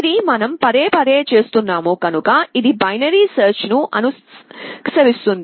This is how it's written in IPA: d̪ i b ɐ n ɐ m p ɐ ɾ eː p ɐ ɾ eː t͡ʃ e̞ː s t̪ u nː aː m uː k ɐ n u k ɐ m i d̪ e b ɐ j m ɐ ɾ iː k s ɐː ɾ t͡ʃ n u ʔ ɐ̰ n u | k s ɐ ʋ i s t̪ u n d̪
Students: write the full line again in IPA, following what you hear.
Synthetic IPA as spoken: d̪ i m ɐ n ɐ m p ɐ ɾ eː p ɐ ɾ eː t͡ʃ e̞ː s t̪ u nː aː m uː k ɐ n u k ɐ i d̪ i b ɐ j n ɐ ɾ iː s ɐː ɾ t͡ʃ n u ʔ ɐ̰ n u | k s ɐ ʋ i s t̪ u n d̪